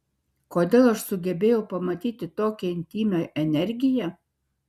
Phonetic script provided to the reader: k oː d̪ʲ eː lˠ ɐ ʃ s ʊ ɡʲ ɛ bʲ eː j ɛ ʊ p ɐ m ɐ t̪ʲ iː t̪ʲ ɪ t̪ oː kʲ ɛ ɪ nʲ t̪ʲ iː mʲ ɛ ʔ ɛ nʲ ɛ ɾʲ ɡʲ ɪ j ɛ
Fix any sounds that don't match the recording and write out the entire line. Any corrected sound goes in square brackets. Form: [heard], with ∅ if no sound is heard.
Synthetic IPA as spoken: k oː d̪ʲ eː lˠ ɐ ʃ s ʊ ɡʲ ɛ bʲ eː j ɛ ʊ p ɐ m ɐ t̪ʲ iː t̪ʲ ɪ t̪ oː kʲ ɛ ɪ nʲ t̪ʲ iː mʲ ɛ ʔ ɛ nʲ ɛ ɾʲ ɡʲ ɪ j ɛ